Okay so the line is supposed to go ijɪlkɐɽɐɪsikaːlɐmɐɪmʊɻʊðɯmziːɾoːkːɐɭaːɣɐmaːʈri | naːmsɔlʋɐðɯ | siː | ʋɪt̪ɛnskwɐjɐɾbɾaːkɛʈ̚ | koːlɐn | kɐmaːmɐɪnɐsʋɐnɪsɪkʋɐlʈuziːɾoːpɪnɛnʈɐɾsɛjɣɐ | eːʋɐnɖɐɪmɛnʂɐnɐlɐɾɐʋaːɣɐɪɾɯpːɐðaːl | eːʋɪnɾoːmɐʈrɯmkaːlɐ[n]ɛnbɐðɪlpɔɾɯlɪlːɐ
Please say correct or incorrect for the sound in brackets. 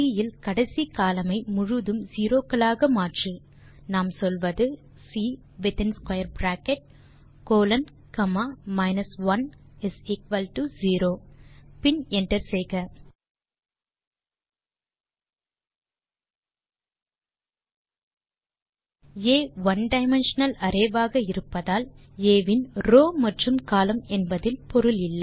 incorrect